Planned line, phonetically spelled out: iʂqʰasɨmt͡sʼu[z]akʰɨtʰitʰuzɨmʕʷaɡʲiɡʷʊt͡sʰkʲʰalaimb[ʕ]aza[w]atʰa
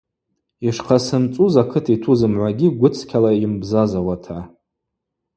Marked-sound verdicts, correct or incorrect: correct, incorrect: z, correct

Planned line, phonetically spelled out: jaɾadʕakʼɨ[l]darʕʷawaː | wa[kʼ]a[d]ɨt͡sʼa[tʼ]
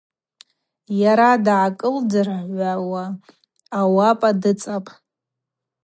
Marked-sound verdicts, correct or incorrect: correct, incorrect: pʼ, correct, incorrect: pʼ

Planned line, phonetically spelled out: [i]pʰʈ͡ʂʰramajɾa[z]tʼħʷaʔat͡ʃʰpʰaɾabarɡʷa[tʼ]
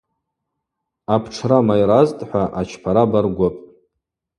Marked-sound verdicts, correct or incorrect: incorrect: a, correct, incorrect: pʼ

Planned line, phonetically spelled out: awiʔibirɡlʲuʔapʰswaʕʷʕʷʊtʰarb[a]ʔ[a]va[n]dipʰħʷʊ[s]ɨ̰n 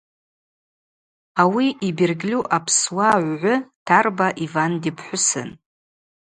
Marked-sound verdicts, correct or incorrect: correct, incorrect: i, correct, correct

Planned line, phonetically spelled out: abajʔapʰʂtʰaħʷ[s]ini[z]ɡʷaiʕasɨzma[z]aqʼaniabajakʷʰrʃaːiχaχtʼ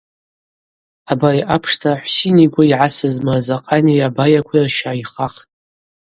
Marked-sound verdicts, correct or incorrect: correct, incorrect: none, correct

